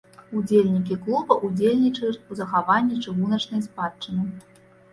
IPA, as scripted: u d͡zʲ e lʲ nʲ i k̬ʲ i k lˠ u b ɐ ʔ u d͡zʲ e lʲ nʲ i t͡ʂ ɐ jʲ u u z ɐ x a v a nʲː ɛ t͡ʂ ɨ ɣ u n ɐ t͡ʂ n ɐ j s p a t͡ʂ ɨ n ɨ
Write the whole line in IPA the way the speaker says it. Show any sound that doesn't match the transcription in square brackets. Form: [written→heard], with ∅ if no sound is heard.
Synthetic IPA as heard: u d͡zʲ e lʲ nʲ i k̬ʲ i k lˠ u b ɐ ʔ u d͡zʲ e lʲ nʲ i t͡ʂ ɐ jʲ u u z ɐ x a v a nʲː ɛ t͡ʂ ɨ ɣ u n ɐ t͡ʂ n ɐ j s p a t͡ʂ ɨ n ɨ